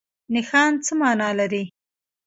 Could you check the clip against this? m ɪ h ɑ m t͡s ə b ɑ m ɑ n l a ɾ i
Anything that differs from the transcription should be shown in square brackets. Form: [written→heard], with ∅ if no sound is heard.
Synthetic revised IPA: [m→n] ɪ [h→x] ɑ [m→n] t͡s ə [b→m] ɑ [m→n] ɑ [n→∅] l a ɾ i